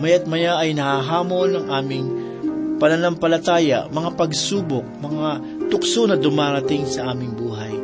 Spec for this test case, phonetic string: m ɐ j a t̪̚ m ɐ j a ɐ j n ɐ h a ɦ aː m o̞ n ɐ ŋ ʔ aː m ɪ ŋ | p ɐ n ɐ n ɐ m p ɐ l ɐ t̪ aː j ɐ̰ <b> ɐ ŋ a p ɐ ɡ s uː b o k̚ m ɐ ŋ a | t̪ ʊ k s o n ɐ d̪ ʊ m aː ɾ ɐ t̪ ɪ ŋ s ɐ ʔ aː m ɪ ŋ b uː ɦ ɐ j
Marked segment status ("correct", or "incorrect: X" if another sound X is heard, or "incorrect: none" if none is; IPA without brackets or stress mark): incorrect: m